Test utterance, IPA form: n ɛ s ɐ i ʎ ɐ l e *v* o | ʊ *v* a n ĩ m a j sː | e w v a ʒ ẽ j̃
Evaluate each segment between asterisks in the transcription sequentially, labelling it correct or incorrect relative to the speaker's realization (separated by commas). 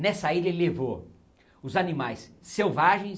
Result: correct, incorrect